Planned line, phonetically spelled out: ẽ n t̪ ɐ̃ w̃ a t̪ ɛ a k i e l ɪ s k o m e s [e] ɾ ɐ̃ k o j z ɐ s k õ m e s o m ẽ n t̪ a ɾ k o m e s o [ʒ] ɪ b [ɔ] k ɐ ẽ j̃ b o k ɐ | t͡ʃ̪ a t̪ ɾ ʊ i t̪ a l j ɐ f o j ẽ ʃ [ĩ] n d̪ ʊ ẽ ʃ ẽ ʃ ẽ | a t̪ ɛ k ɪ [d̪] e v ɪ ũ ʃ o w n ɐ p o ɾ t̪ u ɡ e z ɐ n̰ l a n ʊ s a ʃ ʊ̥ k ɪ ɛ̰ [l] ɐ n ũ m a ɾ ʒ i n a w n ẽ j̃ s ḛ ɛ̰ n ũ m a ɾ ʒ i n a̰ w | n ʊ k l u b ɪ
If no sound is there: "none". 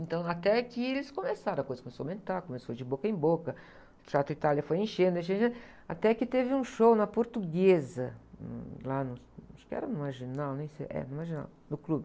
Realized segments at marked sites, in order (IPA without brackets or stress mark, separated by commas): a, d͡ʒ, o, ẽ, t̪, ɾ